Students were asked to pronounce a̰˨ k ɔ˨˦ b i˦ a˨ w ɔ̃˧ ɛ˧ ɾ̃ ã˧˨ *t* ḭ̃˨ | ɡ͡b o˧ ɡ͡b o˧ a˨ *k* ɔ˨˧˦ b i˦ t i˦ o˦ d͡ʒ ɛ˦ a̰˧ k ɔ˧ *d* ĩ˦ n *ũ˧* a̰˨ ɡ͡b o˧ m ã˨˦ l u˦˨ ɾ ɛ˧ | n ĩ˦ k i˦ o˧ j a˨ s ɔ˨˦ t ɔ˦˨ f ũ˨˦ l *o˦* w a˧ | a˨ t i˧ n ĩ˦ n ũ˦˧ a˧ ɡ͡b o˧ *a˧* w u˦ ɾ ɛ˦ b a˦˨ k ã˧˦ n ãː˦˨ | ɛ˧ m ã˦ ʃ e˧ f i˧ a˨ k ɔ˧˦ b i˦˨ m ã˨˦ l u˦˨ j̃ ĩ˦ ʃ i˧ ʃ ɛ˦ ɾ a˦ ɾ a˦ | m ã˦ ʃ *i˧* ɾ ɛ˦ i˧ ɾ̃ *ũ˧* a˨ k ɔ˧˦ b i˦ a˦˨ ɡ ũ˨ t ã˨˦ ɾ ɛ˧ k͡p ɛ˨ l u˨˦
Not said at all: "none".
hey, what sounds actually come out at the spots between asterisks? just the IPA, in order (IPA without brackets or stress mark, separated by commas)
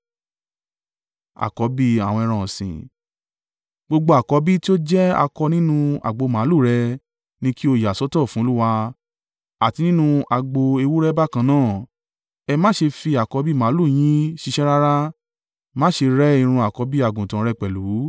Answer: s, k, n, ũ˧, u˦, e˧, e˧, ũ˧